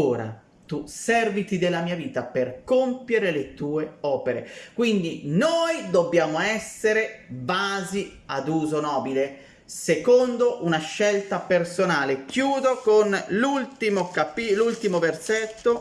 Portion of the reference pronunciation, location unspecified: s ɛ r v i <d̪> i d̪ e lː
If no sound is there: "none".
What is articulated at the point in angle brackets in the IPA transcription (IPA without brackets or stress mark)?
t̪